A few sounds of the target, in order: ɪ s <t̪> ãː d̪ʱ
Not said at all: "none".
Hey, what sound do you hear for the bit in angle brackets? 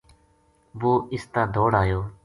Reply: t̪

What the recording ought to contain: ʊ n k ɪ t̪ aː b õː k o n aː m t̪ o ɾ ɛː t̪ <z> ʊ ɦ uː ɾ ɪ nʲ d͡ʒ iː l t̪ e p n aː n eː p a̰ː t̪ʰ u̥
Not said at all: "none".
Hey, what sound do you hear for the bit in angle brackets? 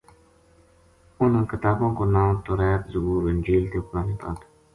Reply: z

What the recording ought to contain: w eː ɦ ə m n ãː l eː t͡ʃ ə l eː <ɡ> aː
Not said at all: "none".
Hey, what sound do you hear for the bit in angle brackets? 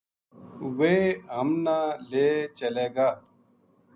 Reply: ɡ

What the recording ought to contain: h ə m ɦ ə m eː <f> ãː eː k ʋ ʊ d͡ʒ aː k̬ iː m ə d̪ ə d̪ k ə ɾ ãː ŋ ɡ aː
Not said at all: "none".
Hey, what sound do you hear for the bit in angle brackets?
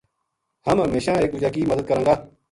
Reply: ʃ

